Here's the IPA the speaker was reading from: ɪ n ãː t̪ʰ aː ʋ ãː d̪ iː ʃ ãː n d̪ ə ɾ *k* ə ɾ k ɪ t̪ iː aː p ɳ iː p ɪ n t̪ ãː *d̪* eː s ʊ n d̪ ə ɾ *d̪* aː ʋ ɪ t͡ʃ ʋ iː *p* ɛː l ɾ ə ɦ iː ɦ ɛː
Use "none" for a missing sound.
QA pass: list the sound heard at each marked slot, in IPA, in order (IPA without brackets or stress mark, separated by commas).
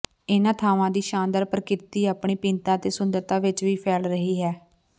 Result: p, t̪, t̪, pʰ